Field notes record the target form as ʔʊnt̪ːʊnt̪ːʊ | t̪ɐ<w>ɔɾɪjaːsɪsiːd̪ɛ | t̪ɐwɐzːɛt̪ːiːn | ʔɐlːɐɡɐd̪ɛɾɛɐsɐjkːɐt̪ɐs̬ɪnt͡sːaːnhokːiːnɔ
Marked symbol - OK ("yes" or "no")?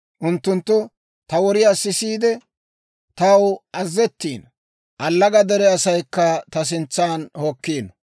yes